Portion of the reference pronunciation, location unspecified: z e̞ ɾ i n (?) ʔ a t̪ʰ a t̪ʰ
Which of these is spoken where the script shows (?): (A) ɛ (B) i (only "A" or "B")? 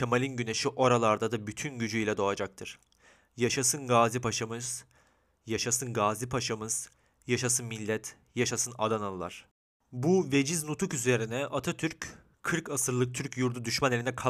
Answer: A